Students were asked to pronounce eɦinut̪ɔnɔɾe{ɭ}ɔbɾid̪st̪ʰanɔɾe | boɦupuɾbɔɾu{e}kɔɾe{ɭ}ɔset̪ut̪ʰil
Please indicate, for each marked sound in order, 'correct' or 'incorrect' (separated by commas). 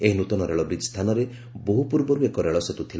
correct, correct, correct